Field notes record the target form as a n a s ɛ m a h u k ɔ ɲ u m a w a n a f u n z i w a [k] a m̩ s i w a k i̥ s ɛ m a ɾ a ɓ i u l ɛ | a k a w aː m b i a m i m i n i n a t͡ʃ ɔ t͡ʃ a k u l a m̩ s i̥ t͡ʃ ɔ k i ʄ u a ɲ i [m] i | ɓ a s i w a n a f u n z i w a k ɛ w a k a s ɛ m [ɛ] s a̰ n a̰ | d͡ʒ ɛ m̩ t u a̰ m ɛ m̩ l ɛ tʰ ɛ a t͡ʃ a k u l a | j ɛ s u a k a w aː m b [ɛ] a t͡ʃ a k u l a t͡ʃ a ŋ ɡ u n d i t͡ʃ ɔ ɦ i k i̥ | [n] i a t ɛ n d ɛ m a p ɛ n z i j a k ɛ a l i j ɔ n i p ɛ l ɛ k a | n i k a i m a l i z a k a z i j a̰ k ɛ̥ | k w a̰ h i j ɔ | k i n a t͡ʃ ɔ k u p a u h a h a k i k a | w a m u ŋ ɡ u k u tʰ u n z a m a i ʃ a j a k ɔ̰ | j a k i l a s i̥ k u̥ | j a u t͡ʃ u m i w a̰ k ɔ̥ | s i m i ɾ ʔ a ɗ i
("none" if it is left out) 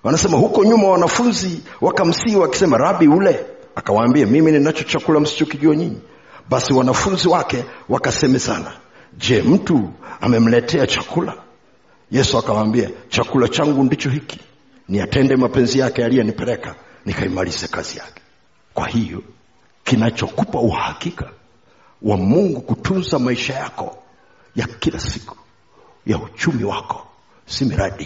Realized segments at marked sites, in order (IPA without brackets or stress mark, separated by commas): k, ɲ, ɛ, i, n